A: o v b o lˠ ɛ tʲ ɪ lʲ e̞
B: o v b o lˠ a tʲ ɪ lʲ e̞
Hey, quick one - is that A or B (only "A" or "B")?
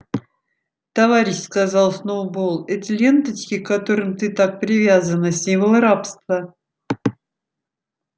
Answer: A